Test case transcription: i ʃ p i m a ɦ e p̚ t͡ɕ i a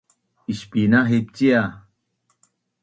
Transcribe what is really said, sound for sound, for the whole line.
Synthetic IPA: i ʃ p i n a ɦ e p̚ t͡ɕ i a